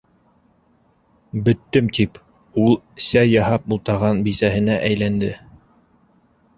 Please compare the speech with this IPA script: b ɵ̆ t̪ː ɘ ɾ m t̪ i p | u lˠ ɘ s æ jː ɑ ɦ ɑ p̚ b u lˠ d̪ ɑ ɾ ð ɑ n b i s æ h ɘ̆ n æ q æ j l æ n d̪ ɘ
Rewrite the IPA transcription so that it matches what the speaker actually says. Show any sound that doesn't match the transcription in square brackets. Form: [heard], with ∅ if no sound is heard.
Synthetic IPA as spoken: b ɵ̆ t̪ː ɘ [∅] m t̪ i p | u lˠ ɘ s æ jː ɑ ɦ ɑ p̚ b u lˠ [t̪] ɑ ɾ [ʁ] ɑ n b i s æ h ɘ̆ n æ [ʔ] æ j l æ n d̪ ɘ